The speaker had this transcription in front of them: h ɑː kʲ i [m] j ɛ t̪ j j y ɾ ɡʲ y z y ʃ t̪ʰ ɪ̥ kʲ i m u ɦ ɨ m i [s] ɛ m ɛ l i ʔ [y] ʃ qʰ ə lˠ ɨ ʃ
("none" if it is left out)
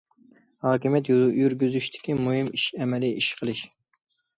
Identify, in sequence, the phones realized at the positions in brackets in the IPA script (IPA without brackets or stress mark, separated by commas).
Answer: m, ʃ, i